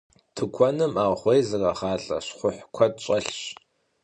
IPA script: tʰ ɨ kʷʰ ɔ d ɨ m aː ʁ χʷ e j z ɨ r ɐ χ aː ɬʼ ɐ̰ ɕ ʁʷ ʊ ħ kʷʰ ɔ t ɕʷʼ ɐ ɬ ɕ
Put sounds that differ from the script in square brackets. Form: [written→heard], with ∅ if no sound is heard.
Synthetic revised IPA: tʰ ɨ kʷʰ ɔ [d→n] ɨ m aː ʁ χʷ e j z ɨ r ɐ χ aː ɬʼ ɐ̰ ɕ [ʁʷ→χʷ] ʊ ħ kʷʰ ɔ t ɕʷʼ ɐ ɬ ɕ

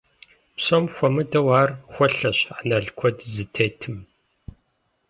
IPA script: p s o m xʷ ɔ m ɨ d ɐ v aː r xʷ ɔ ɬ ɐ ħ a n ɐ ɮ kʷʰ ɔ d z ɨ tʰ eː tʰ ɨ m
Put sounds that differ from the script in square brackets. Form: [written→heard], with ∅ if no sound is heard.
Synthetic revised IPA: p s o m xʷ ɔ m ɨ d ɐ [v→w] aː r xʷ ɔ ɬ ɐ [ħ→ɕ] a n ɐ ɮ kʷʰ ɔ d z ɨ tʰ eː tʰ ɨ m

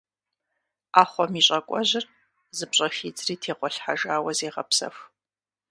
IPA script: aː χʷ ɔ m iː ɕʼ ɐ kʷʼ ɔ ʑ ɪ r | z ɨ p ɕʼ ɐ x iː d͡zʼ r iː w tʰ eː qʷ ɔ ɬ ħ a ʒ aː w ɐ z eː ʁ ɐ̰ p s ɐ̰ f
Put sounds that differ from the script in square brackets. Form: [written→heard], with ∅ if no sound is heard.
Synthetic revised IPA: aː χʷ ɔ m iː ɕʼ ɐ kʷʼ ɔ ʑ ɪ r | z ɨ p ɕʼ ɐ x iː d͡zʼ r iː [w→∅] tʰ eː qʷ ɔ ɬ ħ a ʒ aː w ɐ z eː ʁ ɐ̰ p s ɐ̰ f

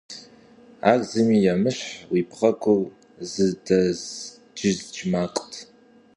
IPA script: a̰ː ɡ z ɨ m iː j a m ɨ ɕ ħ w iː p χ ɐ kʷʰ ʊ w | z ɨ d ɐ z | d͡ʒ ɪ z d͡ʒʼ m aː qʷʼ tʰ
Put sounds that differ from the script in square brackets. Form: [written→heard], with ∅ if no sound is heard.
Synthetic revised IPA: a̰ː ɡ z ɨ m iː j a m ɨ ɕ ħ w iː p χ ɐ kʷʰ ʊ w | z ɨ d ɐ z | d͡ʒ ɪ z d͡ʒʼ m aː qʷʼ tʰ

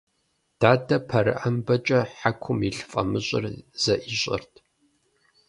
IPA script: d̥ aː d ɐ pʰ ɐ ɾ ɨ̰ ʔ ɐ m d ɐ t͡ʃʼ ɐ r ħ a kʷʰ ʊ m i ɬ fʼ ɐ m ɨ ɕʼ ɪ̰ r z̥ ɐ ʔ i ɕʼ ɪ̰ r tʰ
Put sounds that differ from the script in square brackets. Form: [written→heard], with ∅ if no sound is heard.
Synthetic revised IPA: d̥ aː d ɐ pʰ ɐ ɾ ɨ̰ ʔ ɐ m [d→b] ɐ t͡ʃʼ ɐ [r→∅] ħ a kʷʰ ʊ m i ɬ fʼ ɐ m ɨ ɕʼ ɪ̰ r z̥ ɐ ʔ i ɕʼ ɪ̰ r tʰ

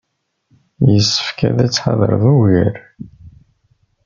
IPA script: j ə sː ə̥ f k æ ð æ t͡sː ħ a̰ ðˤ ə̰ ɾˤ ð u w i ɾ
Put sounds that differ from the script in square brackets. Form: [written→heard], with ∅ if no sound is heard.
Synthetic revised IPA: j ə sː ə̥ f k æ ð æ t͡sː ħ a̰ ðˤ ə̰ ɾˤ ð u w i ɾ

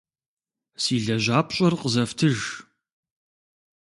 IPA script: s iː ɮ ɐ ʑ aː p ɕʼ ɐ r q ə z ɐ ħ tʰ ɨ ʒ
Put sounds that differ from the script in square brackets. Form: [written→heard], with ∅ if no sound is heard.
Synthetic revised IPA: s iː ɮ ɐ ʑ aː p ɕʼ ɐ r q ə z ɐ [ħ→f] tʰ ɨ ʒ

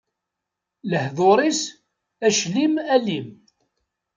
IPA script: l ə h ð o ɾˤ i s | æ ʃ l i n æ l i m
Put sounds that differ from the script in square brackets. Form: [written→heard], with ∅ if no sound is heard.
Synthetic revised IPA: l ə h ð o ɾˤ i s | æ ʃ l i [n→m] æ l i m

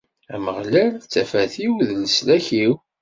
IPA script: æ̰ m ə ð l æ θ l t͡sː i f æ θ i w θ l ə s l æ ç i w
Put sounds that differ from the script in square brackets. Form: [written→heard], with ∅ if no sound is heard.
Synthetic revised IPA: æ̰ m ə [ð→ʁ] l æ [θ→∅] l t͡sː [i→æ] f æ θ i w [θ→ð] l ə s l æ ç i w

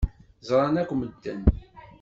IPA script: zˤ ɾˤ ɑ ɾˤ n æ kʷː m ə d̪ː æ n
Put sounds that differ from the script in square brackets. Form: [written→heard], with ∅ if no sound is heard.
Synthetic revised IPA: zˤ ɾˤ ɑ [ɾˤ→∅] n æ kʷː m ə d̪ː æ n

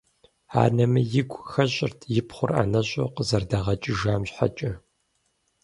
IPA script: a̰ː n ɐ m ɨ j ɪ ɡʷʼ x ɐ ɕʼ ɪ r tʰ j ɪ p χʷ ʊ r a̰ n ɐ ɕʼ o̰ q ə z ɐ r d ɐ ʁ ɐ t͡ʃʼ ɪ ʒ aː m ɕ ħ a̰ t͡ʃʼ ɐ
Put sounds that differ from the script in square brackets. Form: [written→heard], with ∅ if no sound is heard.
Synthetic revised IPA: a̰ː n ɐ m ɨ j ɪ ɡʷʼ x ɐ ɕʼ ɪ r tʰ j ɪ p χʷ ʊ r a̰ n ɐ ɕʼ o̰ q ə z ɐ r d ɐ ʁ ɐ t͡ʃʼ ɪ ʒ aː m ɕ ħ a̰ t͡ʃʼ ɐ

